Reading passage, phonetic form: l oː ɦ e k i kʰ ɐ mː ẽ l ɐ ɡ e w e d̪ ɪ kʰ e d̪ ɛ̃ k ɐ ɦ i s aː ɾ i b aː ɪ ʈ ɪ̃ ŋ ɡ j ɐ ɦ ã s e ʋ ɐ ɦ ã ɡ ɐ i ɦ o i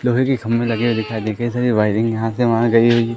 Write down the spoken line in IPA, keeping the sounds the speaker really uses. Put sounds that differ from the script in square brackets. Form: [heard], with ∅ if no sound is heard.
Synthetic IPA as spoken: l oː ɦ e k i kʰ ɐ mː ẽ l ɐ ɡ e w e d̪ ɪ kʰ [a] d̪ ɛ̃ k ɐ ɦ i s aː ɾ i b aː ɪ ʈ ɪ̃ ŋ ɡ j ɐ ɦ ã s e ʋ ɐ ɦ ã ɡ ɐ i ɦ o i